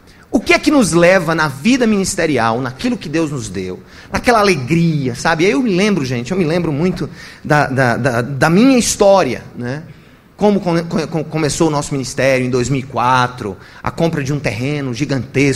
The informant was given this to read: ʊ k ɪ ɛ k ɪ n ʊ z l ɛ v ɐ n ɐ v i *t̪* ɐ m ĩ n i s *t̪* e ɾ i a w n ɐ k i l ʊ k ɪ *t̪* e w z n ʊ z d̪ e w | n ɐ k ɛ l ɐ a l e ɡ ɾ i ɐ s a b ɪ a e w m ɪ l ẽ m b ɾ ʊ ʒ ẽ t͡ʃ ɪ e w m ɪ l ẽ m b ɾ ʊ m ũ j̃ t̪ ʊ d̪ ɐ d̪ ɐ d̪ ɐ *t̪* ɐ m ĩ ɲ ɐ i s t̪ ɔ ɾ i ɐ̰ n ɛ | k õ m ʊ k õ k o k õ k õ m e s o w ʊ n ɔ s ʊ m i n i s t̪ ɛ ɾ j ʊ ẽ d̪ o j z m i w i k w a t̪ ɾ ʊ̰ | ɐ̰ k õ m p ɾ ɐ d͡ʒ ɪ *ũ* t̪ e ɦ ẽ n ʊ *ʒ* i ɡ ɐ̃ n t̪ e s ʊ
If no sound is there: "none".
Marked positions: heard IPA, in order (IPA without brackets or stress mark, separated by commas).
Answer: d̪, t̪, d̪, d̪, ũ, ʒ